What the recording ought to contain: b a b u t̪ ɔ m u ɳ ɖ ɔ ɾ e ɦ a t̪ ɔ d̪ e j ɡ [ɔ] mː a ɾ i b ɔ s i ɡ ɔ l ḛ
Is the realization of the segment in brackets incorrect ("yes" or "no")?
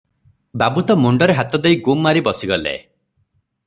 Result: yes